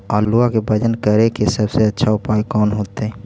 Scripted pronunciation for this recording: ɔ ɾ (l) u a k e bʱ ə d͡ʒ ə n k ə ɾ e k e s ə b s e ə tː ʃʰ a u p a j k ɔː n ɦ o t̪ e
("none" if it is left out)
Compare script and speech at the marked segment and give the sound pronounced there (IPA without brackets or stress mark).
l